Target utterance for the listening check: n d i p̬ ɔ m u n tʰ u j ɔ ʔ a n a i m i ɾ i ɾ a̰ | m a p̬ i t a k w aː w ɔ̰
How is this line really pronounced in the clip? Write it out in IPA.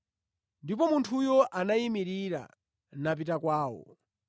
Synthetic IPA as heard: n d i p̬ ɔ m u n tʰ u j ɔ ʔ a n a i m i ɾ i ɾ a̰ | n a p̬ i t a k w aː w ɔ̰

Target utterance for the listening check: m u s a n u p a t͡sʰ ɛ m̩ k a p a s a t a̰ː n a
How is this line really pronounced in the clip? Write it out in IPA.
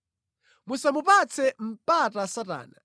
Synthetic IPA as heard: m u s a m u p a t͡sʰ ɛ m̩ p a t a s a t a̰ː n a

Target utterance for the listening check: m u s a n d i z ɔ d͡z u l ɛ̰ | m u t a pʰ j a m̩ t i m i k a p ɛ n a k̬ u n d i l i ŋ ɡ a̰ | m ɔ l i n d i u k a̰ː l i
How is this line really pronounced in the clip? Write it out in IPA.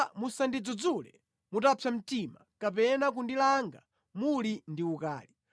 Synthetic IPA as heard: m u s a n d i d͡z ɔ d͡z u l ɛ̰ | m u t a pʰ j a m̩ t i m a k a p ɛ n a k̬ u n d i l a ŋ ɡ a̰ | m u l i n d i u k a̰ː l i

